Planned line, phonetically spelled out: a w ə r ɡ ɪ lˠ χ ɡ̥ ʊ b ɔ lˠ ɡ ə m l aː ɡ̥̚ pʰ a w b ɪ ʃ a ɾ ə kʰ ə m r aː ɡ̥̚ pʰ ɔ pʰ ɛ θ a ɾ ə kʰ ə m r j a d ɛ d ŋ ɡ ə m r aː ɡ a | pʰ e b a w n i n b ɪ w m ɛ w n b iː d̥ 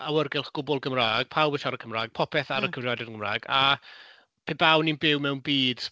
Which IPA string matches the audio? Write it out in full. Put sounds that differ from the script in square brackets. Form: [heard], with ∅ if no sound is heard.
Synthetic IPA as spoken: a w ə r ɡ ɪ lˠ χ ɡ̥ ʊ b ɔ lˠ ɡ ə m [r] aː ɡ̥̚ pʰ a w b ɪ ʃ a ɾ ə kʰ ə m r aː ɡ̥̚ pʰ ɔ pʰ ɛ θ a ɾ ə kʰ ə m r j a d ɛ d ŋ ɡ ə m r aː ɡ a | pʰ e b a w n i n b ɪ w m ɛ w n b iː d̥